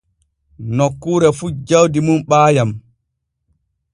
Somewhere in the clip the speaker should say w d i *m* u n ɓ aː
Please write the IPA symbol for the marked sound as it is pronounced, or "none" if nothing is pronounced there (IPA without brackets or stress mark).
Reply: m